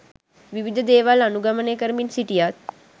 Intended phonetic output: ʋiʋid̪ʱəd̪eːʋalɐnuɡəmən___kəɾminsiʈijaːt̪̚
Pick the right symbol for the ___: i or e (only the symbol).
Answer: e